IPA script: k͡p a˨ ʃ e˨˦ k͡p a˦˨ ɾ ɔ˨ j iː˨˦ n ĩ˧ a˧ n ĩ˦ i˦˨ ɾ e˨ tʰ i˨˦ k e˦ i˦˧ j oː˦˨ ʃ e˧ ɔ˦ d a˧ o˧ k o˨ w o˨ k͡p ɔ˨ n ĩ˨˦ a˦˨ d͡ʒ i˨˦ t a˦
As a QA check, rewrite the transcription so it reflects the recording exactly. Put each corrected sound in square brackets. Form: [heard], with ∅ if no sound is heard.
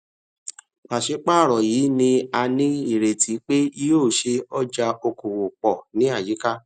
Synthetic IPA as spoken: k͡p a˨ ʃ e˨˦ k͡p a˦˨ ɾ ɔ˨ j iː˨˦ n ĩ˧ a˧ n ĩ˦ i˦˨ ɾ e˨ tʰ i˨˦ [k͡p] e˦ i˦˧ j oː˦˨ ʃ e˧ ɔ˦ [d͡ʒ] a˧ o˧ k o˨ w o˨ k͡p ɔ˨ n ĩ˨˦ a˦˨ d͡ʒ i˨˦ [k] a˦